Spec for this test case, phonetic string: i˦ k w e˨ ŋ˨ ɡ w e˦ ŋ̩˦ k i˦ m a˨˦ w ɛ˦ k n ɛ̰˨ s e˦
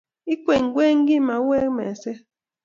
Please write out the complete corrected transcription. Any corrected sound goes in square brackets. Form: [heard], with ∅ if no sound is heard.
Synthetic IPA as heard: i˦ k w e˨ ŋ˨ ɡ w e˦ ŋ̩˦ [ɡ] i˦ m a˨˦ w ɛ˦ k [m] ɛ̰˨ s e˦